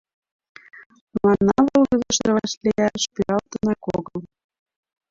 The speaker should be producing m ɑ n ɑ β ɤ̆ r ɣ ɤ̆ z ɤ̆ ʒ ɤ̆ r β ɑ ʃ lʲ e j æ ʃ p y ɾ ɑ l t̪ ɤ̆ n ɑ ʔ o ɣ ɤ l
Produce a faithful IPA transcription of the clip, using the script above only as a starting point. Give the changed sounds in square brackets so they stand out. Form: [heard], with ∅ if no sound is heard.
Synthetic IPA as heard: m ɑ n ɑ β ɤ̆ [l] ɣ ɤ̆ z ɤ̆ [ʃ] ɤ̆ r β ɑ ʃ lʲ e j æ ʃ p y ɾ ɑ l t̪ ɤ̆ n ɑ [k] o ɣ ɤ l